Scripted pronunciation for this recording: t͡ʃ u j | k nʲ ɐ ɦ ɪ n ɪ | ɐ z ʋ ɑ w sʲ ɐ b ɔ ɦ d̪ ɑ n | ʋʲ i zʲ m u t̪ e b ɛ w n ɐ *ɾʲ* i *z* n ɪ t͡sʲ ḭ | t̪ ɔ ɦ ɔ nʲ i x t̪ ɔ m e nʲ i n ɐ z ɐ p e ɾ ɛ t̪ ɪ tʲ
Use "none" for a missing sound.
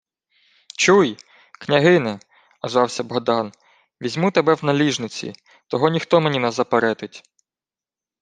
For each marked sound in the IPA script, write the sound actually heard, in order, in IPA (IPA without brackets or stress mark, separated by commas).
lʲ, ʒ